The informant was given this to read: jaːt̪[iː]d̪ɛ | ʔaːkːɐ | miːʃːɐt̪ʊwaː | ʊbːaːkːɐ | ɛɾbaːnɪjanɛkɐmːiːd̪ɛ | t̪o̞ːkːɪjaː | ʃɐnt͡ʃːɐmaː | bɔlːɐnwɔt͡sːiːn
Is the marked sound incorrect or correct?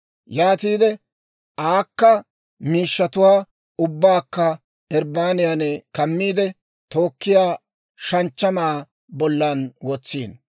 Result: correct